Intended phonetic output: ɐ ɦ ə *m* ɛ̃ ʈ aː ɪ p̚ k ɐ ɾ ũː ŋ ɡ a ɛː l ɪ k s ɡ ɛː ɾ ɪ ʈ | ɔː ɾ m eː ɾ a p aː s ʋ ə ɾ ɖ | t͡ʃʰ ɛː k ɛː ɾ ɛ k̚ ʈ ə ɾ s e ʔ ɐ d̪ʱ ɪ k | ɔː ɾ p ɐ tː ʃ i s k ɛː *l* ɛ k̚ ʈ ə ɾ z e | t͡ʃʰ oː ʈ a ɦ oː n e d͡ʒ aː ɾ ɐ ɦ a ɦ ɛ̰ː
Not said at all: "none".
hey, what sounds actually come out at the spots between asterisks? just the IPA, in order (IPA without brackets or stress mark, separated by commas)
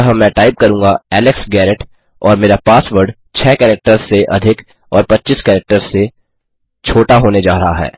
m, ɾ